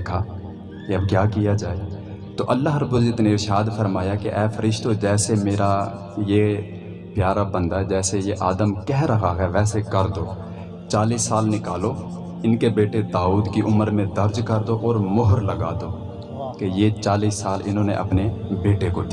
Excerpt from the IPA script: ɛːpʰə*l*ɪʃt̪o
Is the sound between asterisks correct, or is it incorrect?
incorrect